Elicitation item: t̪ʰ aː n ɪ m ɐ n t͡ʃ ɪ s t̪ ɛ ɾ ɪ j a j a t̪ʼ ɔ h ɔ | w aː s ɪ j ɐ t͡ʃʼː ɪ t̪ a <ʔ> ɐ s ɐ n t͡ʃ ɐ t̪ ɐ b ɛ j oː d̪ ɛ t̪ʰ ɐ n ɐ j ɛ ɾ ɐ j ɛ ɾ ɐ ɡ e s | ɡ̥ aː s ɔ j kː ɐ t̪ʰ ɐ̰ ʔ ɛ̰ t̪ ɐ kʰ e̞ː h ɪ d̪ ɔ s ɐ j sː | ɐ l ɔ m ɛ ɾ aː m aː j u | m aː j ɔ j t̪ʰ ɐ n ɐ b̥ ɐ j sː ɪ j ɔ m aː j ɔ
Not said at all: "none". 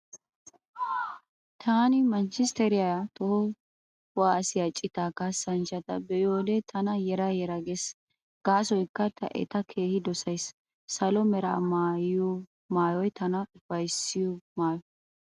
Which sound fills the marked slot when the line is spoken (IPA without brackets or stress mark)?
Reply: k